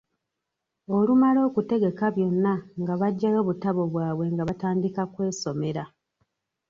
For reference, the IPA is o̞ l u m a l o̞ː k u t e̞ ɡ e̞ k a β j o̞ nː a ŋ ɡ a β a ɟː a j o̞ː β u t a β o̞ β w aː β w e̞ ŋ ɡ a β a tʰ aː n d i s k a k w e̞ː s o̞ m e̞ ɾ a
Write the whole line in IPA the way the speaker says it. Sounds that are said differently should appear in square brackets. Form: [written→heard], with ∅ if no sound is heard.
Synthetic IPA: o̞ l u m a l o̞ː k u t e̞ ɡ e̞ k a β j o̞ nː a ŋ ɡ a β a ɟː a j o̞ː β u t a β o̞ β w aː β w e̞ ŋ ɡ a β a [tʰ→t] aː n d i [s→∅] k a k w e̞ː s o̞ m e̞ ɾ a